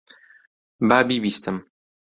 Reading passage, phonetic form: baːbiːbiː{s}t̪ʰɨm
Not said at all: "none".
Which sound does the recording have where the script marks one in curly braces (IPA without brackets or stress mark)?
s